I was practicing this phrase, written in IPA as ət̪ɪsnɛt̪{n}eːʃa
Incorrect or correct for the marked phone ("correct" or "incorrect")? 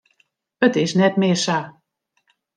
incorrect